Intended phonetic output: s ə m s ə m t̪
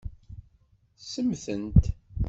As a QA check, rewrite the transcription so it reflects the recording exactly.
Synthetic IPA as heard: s ə m θ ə n t̪